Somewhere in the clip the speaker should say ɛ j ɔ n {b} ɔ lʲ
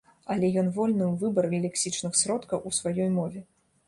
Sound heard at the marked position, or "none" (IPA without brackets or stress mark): v